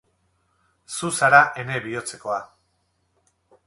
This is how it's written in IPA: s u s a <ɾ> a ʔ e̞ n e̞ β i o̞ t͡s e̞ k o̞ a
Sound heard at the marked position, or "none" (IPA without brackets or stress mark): ɾ